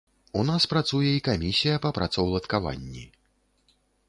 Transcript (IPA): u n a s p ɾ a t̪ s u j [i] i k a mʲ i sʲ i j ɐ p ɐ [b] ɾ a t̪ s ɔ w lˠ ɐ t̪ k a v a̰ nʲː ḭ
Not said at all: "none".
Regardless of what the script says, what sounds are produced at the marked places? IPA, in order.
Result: ɛ, p

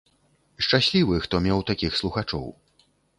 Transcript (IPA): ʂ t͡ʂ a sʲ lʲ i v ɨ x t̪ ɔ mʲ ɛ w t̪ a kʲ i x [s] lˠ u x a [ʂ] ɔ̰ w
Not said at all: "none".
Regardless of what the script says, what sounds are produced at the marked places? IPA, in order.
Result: s, t͡ʂ

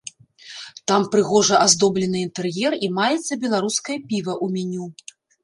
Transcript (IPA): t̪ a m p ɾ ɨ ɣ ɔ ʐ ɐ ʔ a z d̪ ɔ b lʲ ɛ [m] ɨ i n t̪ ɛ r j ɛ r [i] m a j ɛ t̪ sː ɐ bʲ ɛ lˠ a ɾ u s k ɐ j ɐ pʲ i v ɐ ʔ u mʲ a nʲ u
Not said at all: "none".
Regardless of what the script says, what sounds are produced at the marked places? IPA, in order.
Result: n, i

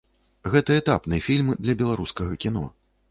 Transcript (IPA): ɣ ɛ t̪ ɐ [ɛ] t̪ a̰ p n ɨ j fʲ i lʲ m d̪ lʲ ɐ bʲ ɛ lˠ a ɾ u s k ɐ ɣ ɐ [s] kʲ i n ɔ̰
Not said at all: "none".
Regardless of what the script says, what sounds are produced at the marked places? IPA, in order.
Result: ɛ, none

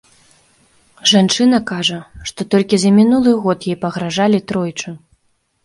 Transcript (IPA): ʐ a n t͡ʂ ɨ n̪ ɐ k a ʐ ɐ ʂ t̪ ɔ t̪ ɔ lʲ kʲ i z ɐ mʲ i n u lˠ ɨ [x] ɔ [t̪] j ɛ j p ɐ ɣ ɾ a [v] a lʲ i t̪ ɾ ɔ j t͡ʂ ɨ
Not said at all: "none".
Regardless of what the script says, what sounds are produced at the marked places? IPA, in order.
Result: ɣ, t̪, ʐ

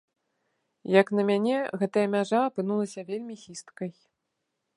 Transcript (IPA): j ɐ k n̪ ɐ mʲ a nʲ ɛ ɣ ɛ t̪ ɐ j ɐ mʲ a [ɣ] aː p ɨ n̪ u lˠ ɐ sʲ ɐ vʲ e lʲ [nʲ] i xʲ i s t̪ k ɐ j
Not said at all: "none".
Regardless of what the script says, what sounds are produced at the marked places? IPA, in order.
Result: ʐ, mʲ

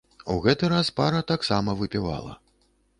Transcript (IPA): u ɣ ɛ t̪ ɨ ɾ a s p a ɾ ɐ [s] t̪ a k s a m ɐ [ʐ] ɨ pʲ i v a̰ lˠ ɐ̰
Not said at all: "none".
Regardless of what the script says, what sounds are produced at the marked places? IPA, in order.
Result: none, v

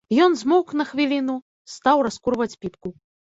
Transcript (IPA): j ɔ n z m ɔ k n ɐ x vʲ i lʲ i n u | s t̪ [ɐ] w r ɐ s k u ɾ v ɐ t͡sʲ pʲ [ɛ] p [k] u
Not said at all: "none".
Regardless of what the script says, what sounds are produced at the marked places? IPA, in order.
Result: a, i, k

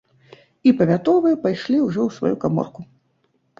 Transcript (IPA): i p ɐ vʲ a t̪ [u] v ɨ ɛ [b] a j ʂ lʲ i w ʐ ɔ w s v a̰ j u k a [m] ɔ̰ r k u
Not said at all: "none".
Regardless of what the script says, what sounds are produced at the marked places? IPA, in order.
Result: ɔ, p, m

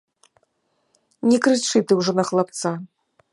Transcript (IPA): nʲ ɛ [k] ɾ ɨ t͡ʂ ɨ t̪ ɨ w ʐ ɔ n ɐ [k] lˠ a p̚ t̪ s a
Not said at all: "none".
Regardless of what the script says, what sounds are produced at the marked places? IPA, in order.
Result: k, x

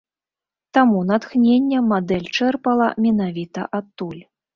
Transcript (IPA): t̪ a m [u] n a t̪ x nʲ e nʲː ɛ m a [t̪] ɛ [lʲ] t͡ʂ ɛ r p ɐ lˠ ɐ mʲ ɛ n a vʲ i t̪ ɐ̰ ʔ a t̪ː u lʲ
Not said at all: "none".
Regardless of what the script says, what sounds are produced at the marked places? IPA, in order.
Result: u, d̪, lʲ

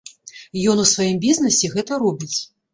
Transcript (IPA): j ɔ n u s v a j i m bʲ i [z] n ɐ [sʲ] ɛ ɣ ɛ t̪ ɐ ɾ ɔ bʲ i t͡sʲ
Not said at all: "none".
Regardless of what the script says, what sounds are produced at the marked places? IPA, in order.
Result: z, sʲ

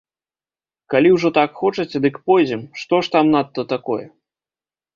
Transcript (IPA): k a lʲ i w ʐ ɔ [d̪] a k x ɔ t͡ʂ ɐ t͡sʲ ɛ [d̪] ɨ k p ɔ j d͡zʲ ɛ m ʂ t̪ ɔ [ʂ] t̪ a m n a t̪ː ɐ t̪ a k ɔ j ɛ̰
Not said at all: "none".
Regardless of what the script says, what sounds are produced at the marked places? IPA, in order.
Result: t̪, d̪, ʂ

